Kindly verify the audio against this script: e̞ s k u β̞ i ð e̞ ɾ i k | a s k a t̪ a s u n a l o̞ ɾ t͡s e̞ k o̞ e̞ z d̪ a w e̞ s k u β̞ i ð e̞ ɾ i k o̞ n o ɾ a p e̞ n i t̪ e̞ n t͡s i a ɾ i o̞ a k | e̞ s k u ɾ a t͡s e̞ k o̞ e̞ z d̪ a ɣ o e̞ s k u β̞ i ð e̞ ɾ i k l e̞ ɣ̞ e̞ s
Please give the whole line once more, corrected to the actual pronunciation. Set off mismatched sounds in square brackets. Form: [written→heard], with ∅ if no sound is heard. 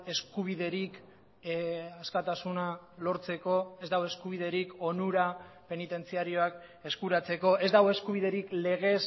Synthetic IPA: e̞ s k u β̞ i ð e̞ ɾ i k | a s k a t̪ a s u n a l o̞ ɾ t͡s e̞ k o̞ e̞ z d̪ a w e̞ s k u β̞ i ð e̞ ɾ i k o̞ n [o→u] ɾ a p e̞ n i t̪ e̞ n t͡s i a ɾ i o̞ a k | e̞ s k u ɾ a t͡s e̞ k o̞ e̞ z d̪ a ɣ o e̞ s k u β̞ i ð e̞ ɾ i k l e̞ ɣ̞ e̞ s